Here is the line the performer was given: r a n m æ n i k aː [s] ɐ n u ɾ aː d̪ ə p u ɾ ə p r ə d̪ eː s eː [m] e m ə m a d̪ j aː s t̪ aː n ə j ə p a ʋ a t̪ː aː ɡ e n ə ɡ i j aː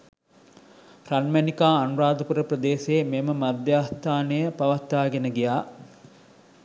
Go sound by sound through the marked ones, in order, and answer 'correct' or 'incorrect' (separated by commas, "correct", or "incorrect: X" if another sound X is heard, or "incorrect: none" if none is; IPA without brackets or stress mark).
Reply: incorrect: none, correct